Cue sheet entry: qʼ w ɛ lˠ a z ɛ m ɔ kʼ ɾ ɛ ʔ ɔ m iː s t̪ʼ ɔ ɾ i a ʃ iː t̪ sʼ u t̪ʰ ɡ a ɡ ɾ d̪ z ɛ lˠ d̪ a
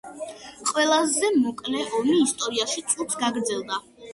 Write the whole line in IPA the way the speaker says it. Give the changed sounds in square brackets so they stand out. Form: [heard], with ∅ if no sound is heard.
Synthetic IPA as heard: qʼ w ɛ lˠ a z ɛ m ɔ kʼ [l] ɛ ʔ ɔ m iː s t̪ʼ ɔ ɾ i a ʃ [i] t̪ sʼ u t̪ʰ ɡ a ɡ ɾ d̪ z ɛ lˠ d̪ a